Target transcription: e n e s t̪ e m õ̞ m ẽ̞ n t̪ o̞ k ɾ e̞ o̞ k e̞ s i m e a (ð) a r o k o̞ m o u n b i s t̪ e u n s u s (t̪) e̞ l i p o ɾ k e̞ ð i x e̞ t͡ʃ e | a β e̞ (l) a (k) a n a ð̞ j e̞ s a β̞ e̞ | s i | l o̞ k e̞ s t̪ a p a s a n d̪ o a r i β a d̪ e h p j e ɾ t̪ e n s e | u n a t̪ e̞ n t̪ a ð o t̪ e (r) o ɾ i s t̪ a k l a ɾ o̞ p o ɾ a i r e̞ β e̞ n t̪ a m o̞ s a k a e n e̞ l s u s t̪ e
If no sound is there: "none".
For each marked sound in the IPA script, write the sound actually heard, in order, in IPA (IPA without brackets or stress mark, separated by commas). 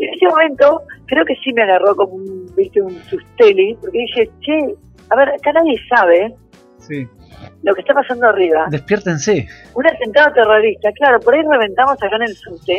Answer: ɣ, t̪, ɾ, k, r